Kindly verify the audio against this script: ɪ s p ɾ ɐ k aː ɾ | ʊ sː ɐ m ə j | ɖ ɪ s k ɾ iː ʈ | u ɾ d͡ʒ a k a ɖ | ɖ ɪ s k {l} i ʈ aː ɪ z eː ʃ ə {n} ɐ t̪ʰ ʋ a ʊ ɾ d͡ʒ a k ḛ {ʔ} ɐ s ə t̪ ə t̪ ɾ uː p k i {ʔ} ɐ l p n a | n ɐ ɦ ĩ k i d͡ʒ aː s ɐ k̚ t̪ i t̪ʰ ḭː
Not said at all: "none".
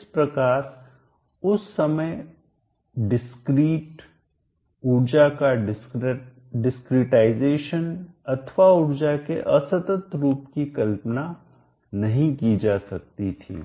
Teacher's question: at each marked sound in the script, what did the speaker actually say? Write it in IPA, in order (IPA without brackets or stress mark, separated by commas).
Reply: ɾ, n, ʔ, k